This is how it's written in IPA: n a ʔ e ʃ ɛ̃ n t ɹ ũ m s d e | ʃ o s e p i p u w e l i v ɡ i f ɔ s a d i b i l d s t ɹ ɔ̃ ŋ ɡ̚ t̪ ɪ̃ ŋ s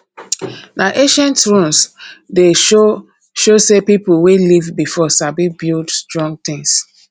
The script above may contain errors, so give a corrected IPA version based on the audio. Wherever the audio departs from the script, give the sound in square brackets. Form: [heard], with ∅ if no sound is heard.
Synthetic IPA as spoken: n a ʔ e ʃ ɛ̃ n t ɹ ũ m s d e | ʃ o s e p i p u w e l i v [b] i f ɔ s a [b] i b i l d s t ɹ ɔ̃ ŋ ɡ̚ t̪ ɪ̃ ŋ s